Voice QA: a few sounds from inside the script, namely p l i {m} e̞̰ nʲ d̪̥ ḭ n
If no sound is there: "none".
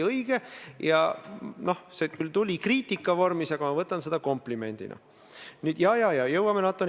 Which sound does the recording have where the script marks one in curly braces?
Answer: m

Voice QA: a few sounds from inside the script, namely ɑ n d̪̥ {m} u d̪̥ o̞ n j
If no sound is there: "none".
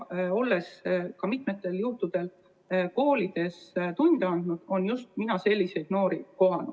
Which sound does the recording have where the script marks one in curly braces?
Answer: n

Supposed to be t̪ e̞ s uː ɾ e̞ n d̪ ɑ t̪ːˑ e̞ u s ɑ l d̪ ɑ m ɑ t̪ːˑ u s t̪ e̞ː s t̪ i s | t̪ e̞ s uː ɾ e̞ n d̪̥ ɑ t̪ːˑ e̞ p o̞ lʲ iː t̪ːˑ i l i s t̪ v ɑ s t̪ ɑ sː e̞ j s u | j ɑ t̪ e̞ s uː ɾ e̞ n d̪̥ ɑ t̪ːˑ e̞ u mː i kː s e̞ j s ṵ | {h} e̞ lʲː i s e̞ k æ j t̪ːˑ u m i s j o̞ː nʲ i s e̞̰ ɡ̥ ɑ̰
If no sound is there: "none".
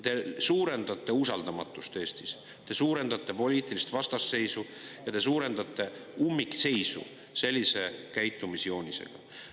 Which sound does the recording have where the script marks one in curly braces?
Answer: s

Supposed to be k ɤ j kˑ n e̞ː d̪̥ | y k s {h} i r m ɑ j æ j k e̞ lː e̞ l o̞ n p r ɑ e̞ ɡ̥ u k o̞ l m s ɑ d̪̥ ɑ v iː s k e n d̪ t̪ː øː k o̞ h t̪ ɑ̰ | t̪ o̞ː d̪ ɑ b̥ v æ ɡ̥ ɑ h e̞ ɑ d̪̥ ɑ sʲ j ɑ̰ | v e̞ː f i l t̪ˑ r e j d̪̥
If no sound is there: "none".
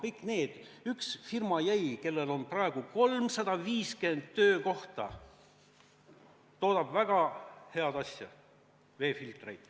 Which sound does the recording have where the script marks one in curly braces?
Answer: f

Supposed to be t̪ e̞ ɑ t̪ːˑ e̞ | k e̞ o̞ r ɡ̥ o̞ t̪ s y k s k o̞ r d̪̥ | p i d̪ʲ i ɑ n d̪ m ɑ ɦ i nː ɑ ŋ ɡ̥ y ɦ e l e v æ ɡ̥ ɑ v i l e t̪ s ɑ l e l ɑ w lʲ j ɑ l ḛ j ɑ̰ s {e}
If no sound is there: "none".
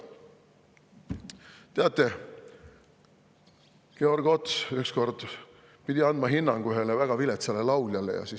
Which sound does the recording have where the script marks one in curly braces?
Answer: i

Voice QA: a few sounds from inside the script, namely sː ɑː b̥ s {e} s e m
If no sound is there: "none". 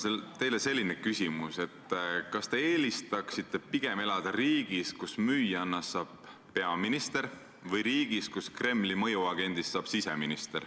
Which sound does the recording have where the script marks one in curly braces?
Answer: i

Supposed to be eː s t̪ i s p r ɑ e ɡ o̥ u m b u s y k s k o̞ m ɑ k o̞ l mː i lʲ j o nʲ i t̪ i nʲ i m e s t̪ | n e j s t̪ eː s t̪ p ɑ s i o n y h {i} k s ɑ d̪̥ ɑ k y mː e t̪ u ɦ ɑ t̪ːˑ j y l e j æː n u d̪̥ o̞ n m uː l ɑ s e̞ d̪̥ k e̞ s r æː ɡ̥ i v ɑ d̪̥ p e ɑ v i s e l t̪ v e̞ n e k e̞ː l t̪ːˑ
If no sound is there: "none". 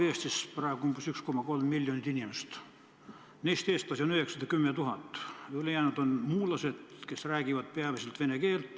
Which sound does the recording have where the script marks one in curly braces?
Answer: e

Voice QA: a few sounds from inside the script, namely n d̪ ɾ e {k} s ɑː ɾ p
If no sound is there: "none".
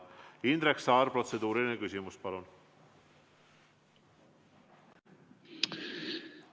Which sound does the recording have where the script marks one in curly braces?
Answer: k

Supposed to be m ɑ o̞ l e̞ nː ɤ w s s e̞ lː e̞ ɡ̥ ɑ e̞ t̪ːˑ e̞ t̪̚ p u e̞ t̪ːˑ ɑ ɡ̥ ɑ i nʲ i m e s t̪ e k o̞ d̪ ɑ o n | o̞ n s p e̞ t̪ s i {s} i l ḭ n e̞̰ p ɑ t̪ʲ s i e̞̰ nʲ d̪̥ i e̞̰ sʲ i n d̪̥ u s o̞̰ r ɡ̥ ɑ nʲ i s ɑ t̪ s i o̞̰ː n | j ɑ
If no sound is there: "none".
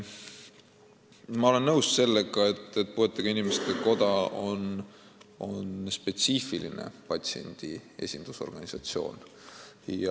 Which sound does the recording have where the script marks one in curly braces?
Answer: f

